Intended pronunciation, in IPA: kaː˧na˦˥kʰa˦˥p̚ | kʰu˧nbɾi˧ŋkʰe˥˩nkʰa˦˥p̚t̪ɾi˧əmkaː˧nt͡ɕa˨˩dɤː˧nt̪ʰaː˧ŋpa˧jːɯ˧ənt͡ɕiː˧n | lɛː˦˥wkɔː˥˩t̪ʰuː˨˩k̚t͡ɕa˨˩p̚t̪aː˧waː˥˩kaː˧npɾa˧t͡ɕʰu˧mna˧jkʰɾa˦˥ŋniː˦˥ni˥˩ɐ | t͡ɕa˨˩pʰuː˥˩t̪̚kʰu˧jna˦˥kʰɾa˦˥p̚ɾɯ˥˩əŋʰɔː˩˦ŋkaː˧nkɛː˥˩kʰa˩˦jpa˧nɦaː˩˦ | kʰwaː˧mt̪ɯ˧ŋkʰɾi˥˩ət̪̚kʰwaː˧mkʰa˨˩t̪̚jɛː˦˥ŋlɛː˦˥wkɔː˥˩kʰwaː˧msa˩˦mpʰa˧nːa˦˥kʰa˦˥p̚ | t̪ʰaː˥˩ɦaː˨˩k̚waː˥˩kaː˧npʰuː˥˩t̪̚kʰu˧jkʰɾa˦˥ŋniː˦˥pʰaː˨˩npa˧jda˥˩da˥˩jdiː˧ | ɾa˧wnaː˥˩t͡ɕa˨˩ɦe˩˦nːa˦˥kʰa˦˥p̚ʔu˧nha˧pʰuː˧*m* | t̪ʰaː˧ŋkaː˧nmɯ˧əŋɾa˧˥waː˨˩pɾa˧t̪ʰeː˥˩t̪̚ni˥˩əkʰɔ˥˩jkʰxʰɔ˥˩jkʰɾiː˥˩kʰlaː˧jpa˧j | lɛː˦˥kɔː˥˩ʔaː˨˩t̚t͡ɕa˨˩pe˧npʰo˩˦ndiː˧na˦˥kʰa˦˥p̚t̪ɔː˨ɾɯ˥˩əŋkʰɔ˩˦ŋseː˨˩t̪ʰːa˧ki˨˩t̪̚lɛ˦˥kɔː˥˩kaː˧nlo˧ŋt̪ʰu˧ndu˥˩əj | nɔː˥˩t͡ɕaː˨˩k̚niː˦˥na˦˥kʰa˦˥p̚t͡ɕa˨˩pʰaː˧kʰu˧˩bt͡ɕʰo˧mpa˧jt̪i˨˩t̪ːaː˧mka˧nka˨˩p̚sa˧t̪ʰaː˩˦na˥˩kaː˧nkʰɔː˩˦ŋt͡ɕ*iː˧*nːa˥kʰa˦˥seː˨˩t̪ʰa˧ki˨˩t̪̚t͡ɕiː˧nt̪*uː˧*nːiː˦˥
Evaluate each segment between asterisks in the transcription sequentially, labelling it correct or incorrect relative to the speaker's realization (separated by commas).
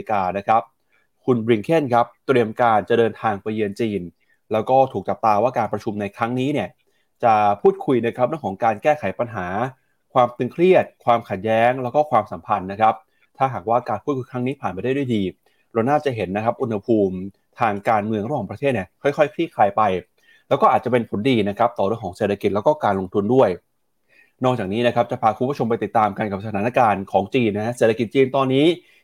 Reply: correct, correct, incorrect